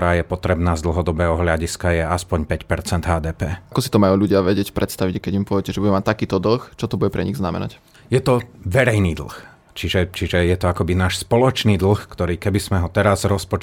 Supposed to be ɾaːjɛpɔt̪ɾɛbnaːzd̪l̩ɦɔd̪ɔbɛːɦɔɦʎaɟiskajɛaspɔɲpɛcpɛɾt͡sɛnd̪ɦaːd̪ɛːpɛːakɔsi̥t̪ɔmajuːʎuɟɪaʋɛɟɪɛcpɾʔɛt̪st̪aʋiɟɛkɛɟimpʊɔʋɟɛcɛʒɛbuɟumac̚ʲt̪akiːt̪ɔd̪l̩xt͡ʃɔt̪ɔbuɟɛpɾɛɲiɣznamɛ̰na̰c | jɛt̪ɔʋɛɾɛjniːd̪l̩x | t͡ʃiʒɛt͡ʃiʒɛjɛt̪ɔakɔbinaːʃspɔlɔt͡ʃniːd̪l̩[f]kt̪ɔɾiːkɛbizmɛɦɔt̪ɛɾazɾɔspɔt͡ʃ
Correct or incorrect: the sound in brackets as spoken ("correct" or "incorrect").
incorrect